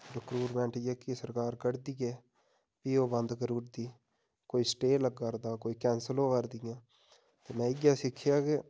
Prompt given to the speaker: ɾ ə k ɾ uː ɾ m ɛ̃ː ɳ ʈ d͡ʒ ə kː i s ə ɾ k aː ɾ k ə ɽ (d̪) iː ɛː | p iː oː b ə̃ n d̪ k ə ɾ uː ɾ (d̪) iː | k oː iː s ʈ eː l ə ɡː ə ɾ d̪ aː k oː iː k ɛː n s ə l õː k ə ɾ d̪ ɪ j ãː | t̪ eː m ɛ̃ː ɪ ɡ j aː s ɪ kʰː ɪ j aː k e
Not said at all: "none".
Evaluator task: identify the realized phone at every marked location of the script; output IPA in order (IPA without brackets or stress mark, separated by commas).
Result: d̪, d̪